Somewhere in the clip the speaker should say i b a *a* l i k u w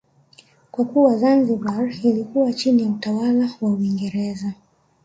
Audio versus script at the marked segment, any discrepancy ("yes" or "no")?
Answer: yes